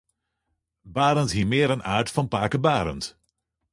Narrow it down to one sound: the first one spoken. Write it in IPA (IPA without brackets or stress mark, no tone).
b